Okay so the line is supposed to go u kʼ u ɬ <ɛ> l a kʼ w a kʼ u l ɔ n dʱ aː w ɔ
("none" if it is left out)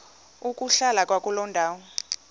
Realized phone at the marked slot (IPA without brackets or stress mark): a